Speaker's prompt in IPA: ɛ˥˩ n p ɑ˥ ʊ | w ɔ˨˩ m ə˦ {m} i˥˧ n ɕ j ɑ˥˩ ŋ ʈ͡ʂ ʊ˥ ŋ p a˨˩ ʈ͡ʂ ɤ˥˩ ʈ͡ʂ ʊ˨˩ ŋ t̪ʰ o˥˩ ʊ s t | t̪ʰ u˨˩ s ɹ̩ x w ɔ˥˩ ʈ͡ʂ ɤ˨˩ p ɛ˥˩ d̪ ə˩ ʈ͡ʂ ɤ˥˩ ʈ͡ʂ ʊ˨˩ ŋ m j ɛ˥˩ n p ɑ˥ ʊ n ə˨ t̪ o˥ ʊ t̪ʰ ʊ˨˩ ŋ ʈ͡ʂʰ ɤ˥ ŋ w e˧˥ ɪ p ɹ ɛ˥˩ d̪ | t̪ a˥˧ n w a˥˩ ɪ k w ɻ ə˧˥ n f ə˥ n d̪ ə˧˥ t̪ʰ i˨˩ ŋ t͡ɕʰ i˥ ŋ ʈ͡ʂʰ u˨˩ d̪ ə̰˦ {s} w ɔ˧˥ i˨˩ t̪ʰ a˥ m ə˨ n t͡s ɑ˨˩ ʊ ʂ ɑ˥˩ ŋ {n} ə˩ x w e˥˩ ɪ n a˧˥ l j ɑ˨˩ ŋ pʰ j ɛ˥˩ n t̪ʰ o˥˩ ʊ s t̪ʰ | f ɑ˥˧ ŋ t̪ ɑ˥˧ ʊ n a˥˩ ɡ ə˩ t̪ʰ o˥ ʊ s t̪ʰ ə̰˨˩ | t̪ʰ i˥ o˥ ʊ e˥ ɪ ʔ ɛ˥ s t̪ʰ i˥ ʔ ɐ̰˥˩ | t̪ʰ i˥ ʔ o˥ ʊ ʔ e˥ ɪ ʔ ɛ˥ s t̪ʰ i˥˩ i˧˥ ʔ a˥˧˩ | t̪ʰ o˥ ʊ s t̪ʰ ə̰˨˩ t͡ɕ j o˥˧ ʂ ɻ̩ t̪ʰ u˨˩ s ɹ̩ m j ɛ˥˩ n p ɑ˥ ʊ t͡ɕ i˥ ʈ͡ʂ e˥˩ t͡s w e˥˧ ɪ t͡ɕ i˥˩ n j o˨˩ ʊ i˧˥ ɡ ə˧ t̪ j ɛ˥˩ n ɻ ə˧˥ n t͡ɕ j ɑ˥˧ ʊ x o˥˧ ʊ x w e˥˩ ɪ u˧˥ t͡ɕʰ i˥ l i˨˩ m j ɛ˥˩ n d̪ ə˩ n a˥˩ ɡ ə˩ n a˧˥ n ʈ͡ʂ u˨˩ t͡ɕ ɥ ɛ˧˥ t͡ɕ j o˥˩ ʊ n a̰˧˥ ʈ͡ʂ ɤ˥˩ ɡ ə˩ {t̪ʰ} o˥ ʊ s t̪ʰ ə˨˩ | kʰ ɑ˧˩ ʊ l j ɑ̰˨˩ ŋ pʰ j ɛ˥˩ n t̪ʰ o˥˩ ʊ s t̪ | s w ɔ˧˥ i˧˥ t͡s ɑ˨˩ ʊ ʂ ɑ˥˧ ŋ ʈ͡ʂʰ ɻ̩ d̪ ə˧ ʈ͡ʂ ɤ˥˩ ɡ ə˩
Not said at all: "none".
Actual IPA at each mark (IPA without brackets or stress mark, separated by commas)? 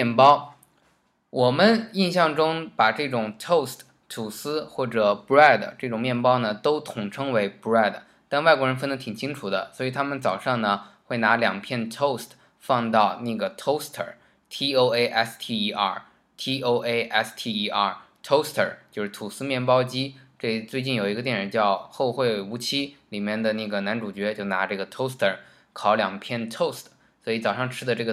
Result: n, s, n, t̪ʰ